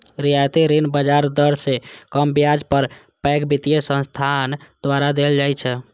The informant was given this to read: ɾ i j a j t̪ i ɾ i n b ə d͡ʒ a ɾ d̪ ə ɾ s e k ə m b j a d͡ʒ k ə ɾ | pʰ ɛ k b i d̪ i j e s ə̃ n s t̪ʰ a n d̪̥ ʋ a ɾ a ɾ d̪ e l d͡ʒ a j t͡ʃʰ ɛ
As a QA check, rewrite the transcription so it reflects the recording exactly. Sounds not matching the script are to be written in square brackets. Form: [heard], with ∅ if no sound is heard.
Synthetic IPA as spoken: ɾ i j a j t̪ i ɾ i n b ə d͡ʒ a ɾ d̪ ə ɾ s e k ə m b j a d͡ʒ [p] ə ɾ | [p] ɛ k b i [t̪] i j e s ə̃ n s t̪ʰ a n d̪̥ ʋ a ɾ a [∅] d̪ e l d͡ʒ a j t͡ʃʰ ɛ